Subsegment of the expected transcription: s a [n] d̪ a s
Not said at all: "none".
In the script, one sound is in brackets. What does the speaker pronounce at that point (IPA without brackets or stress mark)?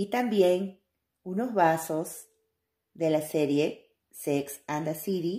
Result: n